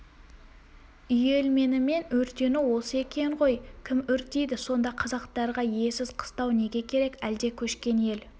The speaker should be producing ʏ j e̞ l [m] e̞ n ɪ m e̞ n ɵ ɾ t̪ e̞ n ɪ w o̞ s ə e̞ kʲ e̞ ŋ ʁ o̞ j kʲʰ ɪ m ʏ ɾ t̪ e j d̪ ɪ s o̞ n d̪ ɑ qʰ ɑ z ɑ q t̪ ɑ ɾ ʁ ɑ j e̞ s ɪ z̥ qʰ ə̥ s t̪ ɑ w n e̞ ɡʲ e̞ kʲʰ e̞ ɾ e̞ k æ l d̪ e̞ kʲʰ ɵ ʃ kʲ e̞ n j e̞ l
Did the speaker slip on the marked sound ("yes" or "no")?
no